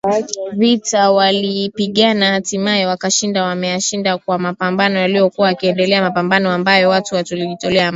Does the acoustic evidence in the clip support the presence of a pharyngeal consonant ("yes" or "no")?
no